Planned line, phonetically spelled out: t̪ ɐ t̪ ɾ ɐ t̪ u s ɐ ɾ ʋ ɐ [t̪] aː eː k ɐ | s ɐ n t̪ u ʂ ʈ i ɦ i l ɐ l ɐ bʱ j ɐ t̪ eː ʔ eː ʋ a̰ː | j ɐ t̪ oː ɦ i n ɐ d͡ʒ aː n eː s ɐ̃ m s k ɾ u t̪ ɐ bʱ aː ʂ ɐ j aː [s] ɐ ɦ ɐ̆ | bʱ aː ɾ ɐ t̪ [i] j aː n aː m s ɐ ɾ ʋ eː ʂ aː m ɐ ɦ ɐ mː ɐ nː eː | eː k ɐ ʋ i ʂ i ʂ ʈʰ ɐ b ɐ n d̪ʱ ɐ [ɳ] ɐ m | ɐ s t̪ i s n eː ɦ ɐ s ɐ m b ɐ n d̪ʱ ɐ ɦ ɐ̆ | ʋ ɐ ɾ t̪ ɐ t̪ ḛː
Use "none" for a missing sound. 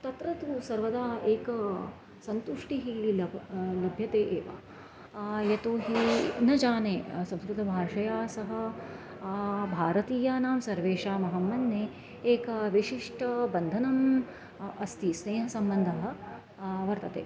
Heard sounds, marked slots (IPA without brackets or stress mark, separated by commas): d̪, s, iː, n